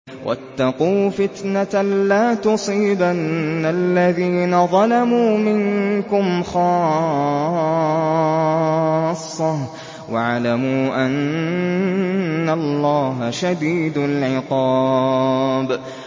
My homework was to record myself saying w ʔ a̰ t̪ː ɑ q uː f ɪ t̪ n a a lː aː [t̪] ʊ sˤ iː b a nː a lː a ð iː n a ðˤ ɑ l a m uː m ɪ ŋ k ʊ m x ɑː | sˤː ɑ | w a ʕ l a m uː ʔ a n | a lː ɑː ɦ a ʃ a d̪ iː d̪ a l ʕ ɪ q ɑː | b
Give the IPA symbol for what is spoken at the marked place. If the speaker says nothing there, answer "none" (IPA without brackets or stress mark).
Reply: t̪